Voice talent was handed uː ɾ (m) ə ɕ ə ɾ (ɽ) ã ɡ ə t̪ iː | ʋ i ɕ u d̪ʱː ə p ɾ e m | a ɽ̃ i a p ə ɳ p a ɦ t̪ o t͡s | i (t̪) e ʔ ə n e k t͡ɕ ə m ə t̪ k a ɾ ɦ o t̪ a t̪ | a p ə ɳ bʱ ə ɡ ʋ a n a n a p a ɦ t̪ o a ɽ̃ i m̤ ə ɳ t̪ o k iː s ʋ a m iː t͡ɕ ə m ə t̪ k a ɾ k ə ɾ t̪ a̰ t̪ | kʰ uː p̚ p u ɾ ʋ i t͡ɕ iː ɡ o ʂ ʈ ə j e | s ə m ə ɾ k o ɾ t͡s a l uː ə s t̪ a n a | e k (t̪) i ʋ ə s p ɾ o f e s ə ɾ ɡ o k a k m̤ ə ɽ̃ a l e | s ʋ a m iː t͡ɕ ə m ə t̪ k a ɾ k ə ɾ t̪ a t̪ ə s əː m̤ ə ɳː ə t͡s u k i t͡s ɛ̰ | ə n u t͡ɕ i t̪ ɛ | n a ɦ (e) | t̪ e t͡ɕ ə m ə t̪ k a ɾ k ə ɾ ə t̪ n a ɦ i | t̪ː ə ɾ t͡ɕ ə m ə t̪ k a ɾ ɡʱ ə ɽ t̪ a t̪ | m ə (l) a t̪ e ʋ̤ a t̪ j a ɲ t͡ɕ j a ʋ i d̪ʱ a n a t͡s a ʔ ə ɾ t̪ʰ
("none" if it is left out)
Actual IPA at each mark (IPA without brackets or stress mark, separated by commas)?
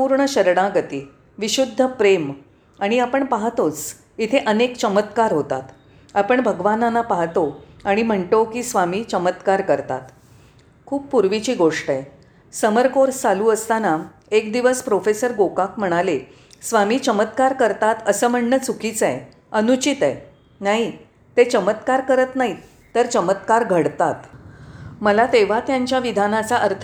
ɳ, ɽ, t̪ʰ, d̪, i, l